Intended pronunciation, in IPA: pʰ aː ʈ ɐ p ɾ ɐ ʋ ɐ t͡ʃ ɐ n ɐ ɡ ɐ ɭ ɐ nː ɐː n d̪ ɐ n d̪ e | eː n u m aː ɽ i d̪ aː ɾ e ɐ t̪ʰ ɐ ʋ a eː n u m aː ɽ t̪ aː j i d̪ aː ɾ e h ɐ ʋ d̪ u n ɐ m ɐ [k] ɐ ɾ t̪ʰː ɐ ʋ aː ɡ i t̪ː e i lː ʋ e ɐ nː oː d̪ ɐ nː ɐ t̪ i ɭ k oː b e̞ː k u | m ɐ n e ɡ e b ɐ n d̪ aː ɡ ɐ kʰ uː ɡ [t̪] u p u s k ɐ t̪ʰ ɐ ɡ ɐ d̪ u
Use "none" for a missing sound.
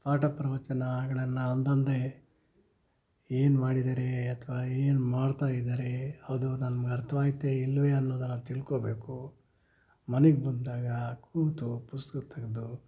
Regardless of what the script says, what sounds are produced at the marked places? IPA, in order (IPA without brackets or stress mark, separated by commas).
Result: ɡ, t̪